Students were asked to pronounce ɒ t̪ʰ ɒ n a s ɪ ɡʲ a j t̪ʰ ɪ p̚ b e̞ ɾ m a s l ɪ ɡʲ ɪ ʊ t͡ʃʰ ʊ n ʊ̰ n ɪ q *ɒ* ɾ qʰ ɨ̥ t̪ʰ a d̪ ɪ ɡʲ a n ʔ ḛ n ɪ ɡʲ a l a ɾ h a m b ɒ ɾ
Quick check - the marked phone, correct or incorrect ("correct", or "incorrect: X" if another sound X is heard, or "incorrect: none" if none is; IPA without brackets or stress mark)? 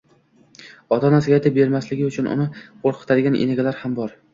incorrect: o